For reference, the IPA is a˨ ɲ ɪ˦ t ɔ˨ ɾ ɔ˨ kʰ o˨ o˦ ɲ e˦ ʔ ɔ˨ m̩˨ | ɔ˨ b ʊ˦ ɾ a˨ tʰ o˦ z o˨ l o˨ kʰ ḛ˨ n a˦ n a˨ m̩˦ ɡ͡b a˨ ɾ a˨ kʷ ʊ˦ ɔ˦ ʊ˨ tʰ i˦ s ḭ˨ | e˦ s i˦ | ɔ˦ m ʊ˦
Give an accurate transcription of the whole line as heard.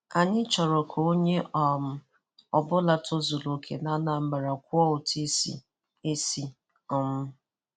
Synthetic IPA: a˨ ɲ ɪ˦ t͡ʃ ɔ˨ ɾ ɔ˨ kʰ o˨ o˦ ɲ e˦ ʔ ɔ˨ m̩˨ | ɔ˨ b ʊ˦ l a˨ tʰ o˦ z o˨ l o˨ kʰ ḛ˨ n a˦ n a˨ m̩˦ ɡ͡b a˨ ɾ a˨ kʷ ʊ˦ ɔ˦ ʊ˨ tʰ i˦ s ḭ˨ | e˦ s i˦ | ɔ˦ m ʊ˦